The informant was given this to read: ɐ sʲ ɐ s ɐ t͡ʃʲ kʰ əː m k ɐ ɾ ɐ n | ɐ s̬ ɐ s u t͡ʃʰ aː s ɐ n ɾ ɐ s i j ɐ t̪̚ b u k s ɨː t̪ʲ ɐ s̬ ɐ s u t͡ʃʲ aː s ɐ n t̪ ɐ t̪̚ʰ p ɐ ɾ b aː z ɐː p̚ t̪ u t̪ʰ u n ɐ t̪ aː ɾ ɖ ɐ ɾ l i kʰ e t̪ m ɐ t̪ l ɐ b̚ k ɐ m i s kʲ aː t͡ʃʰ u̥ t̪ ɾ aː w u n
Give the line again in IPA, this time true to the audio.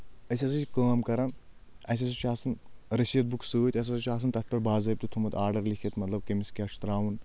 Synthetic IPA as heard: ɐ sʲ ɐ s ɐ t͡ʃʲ k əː m k ɐ ɾ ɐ n | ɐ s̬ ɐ s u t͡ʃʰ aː s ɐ n ɾ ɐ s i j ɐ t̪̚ b u k s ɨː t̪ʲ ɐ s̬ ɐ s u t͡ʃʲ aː s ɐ n t̪ ɐ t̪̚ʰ p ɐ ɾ b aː z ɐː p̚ t̪ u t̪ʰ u m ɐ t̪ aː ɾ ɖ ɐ ɾ l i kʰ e t̪ m ɐ t̪ l ɐ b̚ k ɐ m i s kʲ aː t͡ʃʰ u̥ t̪ ɾ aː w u n